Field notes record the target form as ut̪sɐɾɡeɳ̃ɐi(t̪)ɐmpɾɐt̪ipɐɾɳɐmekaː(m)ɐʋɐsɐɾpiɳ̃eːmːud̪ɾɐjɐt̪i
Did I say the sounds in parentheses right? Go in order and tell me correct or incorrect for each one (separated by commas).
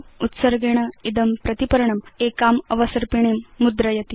incorrect, correct